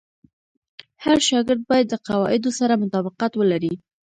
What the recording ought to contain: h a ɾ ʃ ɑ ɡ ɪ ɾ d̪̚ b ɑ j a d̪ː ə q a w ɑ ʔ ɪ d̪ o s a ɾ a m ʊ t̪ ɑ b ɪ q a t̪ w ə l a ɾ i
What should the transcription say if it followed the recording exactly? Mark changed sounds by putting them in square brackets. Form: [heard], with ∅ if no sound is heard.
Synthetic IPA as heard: h a ɾ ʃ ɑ ɡ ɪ ɾ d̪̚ b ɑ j a d̪ː ə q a w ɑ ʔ ɪ d̪ o s a ɾ a m ʊ t̪ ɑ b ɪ q a t̪ w ə l a ɾ i